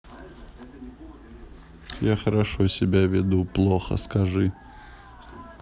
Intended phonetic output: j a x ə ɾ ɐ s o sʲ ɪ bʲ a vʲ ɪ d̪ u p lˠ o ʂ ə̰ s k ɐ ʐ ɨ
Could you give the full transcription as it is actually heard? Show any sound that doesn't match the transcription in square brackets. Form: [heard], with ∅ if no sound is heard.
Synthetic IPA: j a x ə ɾ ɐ [ʂ] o sʲ ɪ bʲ a vʲ ɪ d̪ u p lˠ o [x] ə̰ s k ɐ ʐ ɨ